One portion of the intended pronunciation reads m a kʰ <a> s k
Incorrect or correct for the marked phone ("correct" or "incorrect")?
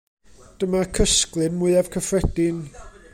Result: incorrect